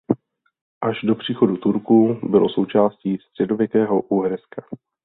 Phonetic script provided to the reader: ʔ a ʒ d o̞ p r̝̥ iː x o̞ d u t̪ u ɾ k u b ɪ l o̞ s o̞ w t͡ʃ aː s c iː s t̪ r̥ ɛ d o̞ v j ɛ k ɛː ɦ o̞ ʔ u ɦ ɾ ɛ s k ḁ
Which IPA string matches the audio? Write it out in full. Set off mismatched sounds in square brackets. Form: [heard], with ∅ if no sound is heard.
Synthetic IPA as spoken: ʔ a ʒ d o̞ p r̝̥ iː x o̞ d u t̪ u ɾ k u b ɪ l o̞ s o̞ w t͡ʃ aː s c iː s t̪ r̥ ɛ d o̞ v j ɛ k ɛː ɦ o̞ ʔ u ɦ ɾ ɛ s k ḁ